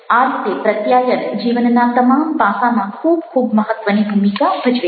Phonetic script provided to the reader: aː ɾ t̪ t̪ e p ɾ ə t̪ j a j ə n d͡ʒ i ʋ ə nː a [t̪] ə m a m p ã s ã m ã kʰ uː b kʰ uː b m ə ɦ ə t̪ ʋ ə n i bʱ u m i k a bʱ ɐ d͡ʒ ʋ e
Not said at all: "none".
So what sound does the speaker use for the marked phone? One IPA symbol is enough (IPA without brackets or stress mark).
t̪